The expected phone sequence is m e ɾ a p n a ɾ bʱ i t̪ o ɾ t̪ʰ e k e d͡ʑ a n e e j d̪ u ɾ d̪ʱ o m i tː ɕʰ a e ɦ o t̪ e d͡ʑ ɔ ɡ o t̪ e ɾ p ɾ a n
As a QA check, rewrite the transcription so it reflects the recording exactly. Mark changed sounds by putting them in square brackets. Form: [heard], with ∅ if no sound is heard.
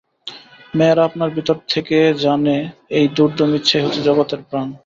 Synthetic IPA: m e ɾ a p n a ɾ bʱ i t̪ o ɾ t̪ʰ e k e d͡ʑ a n e e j d̪ u ɾ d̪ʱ o m i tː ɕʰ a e ɦ o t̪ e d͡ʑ ɔ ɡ o t̪ e ɾ p ɾ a n